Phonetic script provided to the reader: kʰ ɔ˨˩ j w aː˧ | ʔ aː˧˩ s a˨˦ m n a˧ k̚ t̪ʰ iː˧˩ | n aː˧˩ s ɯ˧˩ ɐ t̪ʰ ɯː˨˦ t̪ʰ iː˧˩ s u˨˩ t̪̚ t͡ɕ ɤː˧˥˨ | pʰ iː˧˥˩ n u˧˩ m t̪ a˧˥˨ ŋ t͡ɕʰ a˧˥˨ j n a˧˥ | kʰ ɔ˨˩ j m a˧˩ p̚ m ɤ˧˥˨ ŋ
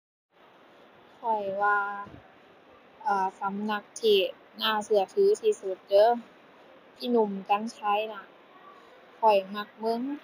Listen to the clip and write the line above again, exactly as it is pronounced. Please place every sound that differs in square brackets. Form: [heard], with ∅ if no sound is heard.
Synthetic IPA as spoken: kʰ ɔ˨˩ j w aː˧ | ʔ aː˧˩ s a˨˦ m n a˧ k̚ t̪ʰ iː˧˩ | n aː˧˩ s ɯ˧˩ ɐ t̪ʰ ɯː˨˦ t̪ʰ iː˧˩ s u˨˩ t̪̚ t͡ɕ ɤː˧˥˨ | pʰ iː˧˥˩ n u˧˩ m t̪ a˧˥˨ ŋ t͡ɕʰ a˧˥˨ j n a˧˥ | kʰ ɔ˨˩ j m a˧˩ [k̚] m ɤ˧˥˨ ŋ